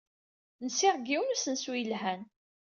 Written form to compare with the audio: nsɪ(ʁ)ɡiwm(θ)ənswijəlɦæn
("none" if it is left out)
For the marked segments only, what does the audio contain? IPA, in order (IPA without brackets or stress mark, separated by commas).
ʁ, s